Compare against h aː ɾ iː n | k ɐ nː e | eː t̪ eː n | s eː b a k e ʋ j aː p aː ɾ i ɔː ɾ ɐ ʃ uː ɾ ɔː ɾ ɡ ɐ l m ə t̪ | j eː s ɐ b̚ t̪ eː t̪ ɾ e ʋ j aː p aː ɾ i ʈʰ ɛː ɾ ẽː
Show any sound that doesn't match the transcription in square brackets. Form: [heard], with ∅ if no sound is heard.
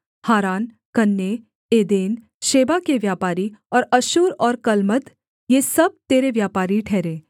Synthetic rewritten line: h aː ɾ [aː] n | k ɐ nː e | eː [d̪] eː n | [ʃ] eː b a k e ʋ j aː p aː ɾ i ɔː ɾ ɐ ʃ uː ɾ ɔː ɾ [k] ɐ l m ə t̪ | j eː s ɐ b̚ t̪ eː [∅] ɾ e ʋ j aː p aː ɾ i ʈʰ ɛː ɾ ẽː

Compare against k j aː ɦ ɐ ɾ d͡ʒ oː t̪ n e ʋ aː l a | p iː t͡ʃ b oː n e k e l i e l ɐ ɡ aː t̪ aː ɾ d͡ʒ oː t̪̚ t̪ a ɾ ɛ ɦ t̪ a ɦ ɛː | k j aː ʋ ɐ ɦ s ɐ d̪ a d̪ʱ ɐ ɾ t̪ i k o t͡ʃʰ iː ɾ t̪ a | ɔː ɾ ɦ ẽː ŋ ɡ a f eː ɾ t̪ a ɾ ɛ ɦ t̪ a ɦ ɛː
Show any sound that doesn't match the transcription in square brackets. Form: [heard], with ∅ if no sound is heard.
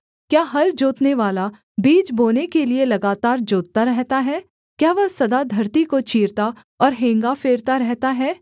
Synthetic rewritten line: k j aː ɦ ɐ ɾ d͡ʒ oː t̪ n e ʋ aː l a | [b] iː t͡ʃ b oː n e k e l i e l ɐ ɡ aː t̪ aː ɾ d͡ʒ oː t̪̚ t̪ a ɾ ɛ ɦ t̪ a ɦ ɛː | k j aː ʋ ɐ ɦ s ɐ d̪ a d̪ʱ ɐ ɾ t̪ i k o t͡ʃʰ iː ɾ t̪ a | ɔː ɾ ɦ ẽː ŋ ɡ a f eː ɾ t̪ a ɾ ɛ ɦ t̪ a ɦ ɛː

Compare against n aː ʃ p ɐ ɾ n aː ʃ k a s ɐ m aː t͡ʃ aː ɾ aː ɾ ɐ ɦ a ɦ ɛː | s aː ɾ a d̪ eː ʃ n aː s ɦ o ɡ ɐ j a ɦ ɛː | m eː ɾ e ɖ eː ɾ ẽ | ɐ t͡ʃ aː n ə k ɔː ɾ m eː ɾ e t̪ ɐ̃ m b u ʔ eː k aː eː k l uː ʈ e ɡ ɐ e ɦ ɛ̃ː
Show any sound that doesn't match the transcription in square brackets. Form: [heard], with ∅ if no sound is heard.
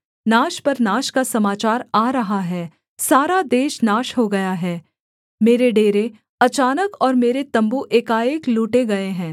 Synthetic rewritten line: n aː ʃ p ɐ ɾ n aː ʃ k a s ɐ m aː t͡ʃ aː ɾ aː ɾ ɐ ɦ a ɦ ɛː | s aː ɾ a d̪ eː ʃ n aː [ʃ] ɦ o ɡ ɐ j a ɦ ɛː | m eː ɾ e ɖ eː ɾ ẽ | ɐ t͡ʃ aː n ə k ɔː ɾ m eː ɾ e t̪ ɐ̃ m b u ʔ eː k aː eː k l uː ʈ e ɡ ɐ e ɦ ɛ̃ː

